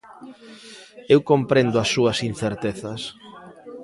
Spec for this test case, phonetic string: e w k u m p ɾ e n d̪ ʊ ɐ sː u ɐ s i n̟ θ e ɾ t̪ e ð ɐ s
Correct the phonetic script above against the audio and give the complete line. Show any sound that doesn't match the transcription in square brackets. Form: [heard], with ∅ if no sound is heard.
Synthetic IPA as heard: e w k [o] m p ɾ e n d̪ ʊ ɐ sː u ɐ s i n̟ θ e ɾ t̪ e [θ] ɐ s